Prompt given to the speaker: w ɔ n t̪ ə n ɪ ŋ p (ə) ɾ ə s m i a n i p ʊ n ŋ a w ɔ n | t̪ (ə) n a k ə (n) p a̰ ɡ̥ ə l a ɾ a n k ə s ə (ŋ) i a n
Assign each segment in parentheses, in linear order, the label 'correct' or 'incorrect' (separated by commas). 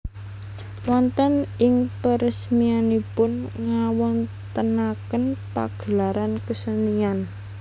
correct, correct, correct, incorrect